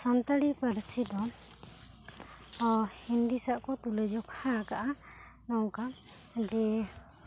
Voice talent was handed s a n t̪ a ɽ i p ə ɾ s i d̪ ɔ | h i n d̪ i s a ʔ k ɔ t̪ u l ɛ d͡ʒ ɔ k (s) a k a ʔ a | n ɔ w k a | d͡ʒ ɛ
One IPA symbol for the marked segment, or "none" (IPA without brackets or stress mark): h